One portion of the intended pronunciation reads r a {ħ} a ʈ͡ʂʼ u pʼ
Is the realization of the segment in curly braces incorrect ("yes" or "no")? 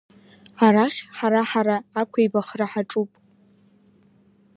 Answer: no